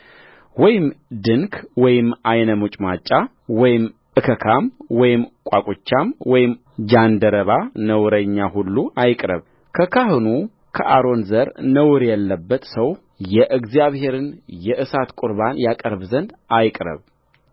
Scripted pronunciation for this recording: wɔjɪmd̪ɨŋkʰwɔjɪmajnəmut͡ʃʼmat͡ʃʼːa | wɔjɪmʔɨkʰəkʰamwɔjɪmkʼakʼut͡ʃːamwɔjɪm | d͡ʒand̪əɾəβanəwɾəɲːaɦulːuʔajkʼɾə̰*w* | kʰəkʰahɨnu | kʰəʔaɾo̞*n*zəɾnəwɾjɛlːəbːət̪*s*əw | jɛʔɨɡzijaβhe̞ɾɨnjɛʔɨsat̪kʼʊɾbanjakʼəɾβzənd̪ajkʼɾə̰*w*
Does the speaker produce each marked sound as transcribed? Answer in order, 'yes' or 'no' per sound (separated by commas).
no, yes, yes, no